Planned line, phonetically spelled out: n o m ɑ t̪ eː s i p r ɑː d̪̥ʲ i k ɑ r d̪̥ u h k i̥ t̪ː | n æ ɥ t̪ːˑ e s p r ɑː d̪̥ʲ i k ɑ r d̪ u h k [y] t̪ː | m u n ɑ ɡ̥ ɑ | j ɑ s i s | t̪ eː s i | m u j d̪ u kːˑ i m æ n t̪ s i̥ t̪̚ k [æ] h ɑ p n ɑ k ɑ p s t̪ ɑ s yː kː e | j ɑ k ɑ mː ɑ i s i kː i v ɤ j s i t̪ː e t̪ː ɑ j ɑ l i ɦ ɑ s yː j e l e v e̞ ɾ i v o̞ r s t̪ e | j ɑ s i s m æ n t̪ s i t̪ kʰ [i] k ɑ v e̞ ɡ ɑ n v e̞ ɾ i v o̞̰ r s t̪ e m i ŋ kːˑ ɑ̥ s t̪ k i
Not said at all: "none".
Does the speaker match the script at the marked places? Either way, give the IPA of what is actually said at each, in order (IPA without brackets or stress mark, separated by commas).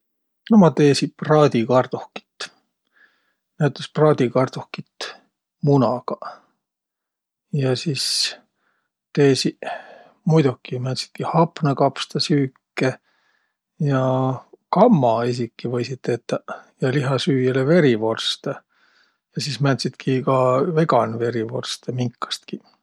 i, i, i